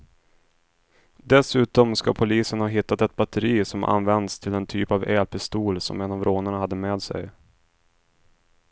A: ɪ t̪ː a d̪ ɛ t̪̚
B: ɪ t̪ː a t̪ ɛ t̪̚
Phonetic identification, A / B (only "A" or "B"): B